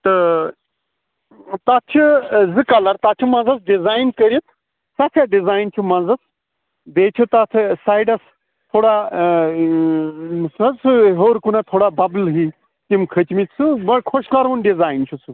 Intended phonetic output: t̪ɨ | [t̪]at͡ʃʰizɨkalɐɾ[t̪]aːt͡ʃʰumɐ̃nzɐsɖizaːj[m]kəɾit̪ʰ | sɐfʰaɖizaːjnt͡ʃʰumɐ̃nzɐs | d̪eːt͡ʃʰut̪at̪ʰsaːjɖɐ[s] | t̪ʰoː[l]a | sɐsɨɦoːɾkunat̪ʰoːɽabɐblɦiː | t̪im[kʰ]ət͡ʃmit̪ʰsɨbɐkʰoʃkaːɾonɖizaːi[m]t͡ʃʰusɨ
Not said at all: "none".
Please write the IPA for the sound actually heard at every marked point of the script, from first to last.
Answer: t̪, t̪, n, s, ɽ, kʰ, n

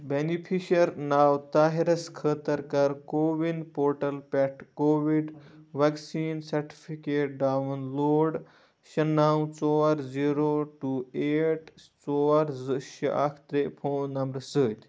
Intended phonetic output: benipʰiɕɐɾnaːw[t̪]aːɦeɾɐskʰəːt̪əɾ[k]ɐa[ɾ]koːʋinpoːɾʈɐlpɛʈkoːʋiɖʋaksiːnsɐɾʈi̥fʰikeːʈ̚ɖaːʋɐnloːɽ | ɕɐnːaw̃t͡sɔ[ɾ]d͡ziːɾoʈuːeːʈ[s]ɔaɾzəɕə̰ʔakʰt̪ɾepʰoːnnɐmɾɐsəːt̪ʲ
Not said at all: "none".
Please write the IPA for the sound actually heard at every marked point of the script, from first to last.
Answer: t̪, k, ɾ, ɾ, t͡s

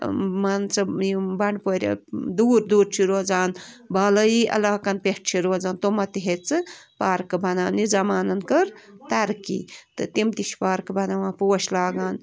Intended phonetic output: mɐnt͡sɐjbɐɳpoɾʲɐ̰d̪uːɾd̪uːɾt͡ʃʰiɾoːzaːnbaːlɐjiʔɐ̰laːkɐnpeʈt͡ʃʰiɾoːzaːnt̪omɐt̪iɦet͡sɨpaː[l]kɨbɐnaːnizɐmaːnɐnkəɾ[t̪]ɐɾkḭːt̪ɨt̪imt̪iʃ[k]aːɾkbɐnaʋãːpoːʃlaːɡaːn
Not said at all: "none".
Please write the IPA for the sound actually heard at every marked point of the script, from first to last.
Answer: ɾ, t̪, p

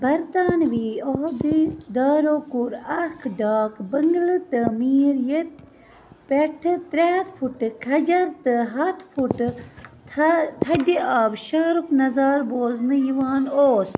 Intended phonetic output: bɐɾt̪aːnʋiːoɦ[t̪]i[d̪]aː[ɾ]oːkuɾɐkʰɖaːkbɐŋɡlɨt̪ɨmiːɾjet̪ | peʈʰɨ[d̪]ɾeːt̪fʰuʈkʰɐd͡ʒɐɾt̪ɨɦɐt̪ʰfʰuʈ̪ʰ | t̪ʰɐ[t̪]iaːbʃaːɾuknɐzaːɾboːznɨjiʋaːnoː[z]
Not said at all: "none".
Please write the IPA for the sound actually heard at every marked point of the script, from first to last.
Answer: d̪, d̪, ɾ, t̪, d̪, s

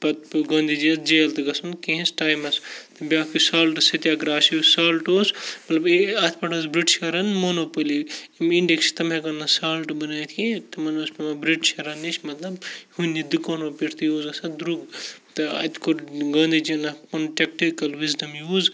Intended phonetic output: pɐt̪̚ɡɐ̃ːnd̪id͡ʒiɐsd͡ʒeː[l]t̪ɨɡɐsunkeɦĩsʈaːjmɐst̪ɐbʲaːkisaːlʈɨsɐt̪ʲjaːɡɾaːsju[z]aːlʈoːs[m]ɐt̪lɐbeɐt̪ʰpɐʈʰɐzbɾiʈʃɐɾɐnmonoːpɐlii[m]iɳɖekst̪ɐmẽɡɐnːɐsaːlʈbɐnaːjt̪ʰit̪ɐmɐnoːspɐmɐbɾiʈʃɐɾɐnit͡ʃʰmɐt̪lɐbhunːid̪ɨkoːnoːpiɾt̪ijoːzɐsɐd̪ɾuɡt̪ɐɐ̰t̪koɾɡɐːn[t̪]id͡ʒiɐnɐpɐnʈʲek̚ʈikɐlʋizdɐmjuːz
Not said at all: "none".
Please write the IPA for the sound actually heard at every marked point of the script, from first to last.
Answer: l, s, m, m, d̪

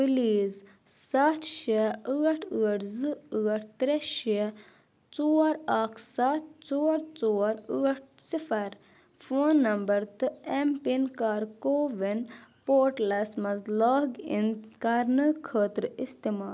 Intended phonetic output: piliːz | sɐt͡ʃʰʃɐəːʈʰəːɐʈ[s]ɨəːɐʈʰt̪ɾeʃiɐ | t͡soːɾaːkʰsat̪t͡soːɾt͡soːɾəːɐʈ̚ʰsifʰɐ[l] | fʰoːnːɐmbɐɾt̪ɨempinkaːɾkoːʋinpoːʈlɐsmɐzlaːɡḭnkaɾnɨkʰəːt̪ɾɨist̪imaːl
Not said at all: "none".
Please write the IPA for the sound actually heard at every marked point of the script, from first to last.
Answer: z, ɾ

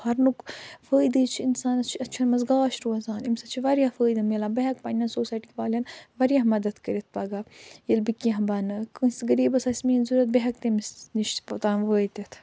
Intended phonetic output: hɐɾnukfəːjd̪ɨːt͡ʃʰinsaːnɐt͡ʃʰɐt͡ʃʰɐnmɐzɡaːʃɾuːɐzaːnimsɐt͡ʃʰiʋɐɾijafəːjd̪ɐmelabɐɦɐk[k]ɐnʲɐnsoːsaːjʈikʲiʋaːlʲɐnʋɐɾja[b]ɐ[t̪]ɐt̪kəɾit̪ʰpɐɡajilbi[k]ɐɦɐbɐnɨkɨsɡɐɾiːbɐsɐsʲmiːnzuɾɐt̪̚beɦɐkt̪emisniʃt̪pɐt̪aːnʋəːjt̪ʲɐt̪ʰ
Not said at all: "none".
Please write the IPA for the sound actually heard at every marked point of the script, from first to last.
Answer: p, m, d̪, k

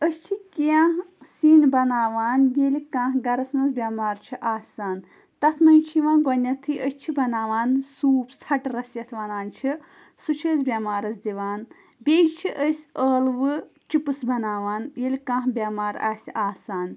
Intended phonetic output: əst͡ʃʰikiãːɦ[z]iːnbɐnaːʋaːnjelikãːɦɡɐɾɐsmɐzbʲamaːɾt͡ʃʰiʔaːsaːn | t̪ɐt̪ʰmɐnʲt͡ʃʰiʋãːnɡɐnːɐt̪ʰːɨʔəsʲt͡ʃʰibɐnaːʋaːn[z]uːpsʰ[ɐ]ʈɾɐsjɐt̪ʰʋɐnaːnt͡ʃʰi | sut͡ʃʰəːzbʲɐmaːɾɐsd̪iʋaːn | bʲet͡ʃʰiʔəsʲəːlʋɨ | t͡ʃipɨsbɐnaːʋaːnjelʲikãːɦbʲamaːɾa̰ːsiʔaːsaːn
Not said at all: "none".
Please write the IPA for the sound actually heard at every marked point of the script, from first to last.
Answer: s, s, ɐ

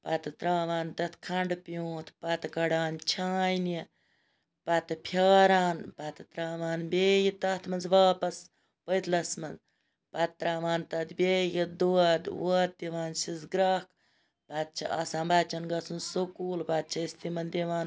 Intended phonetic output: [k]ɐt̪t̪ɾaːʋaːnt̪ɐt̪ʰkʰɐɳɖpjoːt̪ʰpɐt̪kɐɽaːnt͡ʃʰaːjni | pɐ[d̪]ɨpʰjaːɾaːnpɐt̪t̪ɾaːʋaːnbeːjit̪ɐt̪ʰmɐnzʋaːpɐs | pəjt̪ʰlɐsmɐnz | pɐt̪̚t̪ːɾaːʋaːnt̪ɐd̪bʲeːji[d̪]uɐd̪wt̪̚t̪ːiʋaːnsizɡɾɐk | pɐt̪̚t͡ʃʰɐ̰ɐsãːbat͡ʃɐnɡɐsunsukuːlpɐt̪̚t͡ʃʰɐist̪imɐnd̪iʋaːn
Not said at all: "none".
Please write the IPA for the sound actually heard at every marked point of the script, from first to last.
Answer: p, t̪, d̪

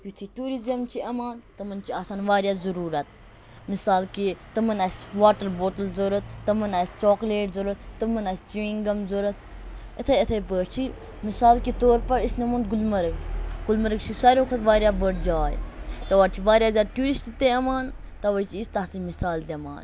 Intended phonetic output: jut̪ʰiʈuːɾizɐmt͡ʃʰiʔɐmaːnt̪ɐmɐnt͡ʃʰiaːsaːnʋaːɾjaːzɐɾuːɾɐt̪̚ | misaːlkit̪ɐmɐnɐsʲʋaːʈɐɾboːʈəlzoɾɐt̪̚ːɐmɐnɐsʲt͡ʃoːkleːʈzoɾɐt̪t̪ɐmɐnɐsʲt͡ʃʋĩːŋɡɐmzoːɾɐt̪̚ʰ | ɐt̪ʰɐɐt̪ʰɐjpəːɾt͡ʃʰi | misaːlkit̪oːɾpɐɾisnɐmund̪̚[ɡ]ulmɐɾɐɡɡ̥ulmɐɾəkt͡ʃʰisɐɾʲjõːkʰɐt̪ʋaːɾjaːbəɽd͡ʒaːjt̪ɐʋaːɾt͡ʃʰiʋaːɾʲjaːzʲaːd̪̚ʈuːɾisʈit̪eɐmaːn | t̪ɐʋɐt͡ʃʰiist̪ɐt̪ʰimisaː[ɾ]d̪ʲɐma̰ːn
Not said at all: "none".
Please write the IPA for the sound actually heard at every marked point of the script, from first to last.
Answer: ɡ, l

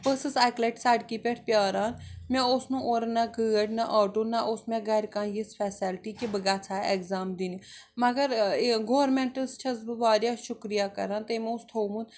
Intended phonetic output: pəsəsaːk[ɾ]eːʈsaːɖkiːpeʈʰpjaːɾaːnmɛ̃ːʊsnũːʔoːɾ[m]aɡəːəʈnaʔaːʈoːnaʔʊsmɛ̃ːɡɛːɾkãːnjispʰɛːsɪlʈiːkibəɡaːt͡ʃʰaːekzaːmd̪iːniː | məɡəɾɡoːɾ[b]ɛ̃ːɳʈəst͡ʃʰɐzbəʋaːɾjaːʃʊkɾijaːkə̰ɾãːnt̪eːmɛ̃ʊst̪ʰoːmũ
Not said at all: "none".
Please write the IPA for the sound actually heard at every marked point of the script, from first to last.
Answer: l, n, m

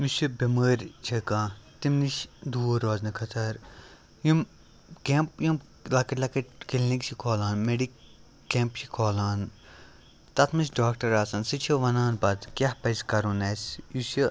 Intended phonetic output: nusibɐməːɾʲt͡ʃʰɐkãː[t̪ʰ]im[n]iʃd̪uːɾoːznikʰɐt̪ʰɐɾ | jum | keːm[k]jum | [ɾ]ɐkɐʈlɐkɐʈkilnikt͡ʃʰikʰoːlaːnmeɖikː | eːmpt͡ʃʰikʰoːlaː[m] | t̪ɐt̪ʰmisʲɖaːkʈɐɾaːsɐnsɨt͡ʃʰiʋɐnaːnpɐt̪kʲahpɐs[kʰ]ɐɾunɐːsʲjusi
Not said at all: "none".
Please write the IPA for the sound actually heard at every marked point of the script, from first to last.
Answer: t̪, n, p, l, n, k

